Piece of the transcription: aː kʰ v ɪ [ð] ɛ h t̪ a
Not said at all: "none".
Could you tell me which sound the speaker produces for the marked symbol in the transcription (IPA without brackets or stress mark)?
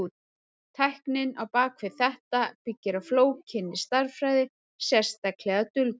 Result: θ